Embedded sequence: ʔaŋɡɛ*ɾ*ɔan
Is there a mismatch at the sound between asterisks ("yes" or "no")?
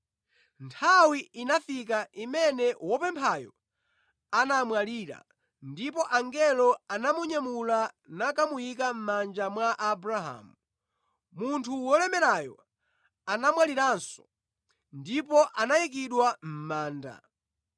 yes